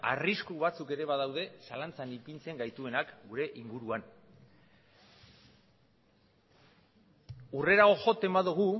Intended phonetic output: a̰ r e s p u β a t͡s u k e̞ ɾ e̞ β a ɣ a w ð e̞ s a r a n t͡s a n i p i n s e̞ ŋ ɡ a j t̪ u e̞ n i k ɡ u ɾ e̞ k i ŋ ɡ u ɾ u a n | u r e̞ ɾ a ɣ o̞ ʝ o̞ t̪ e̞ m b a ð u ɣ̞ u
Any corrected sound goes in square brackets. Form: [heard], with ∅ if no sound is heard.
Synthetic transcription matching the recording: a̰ r [i] s [k] u β a t͡s u k e̞ ɾ e̞ β a [ð] a w ð e̞ s a [l] a n t͡s a n i p i n [t͡s] e̞ ŋ ɡ a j t̪ u e̞ n [a] k ɡ u ɾ e̞ [ʔ] i ŋ ɡ u ɾ u a n | u r e̞ ɾ a ɣ o̞ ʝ o̞ t̪ e̞ m b a ð u ɣ̞ u

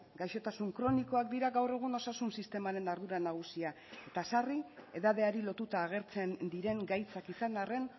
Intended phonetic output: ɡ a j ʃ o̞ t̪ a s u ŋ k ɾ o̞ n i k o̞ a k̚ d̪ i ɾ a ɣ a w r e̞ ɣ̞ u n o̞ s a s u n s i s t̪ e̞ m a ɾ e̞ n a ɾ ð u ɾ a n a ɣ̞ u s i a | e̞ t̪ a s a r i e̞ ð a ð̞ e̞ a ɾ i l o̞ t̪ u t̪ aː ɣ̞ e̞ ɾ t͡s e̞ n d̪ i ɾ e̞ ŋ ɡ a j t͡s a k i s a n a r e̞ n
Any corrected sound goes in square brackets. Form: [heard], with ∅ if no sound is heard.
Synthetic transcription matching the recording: ɡ a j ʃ o̞ t̪ a s u ŋ k ɾ o̞ n i k o̞ a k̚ d̪ i ɾ a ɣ a w r e̞ ɣ̞ u n o̞ s a s u n s i s t̪ e̞ m a ɾ e̞ n a ɾ ð u ɾ a n a ɣ̞ u s i a | e̞ t̪ a s a r i e̞ ð a ð̞ e̞ a ɾ i l o̞ t̪ u t̪ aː ɣ̞ e̞ ɾ t͡s e̞ n d̪ i ɾ e̞ ŋ ɡ a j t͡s a k i s a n a r e̞ n

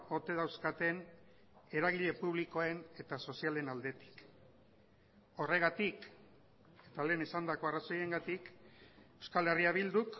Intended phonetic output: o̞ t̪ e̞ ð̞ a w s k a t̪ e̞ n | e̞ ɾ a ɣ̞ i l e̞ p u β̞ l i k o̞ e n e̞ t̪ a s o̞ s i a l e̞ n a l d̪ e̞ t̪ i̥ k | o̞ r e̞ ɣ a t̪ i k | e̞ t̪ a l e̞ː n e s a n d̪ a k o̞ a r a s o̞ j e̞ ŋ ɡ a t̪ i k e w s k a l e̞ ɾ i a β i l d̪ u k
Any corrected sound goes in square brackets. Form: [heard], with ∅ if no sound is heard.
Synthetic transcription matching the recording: o̞ t̪ e̞ ð̞ a w s k a t̪ e̞ n | e̞ ɾ a ɣ̞ i [ʎ] e̞ p u β̞ l i k o̞ e n e̞ t̪ a s o̞ s i a l e̞ n a l d̪ e̞ t̪ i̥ k | o̞ r e̞ ɣ a t̪ i k | e̞ t̪ a l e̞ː n e s a n d̪ a k o̞ a r a s o̞ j e̞ ŋ ɡ a t̪ i k e w s k a l e̞ [r] i a β i l d̪ u k

